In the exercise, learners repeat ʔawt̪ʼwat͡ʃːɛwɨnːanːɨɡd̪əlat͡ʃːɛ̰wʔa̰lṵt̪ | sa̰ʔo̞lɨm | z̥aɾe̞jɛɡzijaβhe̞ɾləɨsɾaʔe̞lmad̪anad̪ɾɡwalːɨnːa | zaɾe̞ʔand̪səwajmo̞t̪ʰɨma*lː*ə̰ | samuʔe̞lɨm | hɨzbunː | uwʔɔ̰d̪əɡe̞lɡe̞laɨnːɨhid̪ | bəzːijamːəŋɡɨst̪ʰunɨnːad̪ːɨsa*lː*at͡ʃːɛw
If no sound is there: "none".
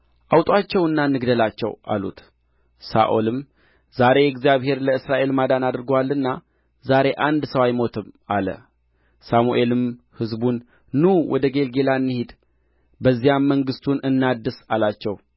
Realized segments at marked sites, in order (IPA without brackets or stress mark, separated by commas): l, l